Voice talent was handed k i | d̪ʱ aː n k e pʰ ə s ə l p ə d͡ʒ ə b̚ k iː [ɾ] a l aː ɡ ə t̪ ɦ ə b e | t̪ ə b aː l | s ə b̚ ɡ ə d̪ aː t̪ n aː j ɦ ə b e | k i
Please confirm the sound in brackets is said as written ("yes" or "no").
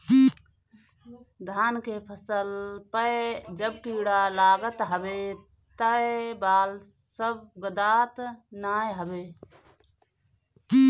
no